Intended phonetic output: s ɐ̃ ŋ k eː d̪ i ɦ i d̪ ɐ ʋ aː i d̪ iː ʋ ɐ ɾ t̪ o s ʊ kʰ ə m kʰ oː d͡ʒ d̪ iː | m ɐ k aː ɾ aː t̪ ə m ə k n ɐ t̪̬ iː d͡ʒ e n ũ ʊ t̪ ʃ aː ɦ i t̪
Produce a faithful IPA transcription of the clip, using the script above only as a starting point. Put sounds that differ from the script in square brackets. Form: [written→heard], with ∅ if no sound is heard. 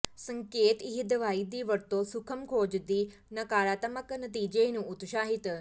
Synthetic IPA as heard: s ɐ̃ ŋ k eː [d̪→t̪] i ɦ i d̪ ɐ ʋ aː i d̪ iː ʋ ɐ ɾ t̪ o s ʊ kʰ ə m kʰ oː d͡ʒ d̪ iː | [m→n] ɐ k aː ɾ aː t̪ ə m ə k n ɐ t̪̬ iː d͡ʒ e n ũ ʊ t̪ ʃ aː ɦ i t̪